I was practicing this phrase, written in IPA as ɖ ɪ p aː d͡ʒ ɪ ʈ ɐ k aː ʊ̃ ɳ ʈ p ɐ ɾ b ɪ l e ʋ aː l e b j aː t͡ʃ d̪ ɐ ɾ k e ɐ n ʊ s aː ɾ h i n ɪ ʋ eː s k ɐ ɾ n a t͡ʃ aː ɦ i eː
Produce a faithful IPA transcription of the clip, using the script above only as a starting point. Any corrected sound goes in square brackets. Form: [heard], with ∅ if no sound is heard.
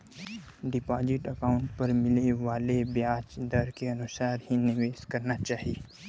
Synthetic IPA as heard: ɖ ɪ p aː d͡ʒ ɪ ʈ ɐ k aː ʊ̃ ɳ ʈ p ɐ ɾ [m] ɪ l e ʋ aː l e b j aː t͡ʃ d̪ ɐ ɾ k e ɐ n ʊ s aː ɾ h i n ɪ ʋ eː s k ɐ ɾ n a t͡ʃ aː ɦ i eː